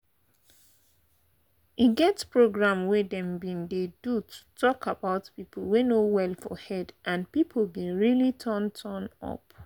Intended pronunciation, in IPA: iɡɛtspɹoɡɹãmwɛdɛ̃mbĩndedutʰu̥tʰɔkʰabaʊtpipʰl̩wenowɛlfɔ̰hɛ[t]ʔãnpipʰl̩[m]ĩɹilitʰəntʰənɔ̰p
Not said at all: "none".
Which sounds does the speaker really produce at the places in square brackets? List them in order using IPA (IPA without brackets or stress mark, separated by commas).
d, b